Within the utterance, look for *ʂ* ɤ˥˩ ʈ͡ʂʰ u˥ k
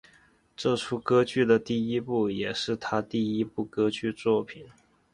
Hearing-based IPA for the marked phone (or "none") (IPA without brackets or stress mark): ʈ͡ʂ